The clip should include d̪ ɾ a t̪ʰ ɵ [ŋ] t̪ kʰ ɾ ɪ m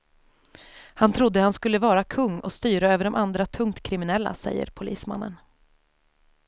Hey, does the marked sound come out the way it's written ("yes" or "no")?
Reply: yes